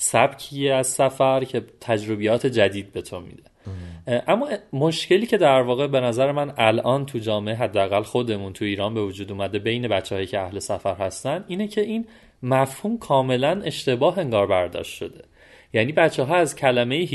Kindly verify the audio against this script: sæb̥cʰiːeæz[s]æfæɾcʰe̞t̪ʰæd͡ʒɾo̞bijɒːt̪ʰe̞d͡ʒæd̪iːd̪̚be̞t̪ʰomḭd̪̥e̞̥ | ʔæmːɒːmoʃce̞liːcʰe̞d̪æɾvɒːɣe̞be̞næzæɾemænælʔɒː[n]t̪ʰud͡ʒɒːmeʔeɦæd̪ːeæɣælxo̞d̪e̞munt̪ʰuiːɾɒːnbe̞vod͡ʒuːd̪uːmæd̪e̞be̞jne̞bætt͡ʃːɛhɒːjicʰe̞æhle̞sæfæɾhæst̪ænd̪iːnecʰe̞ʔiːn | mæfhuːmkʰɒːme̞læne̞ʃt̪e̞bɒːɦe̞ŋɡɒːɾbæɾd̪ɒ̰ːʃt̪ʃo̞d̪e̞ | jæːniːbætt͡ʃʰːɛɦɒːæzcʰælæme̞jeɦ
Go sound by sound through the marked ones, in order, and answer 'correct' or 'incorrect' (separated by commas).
correct, correct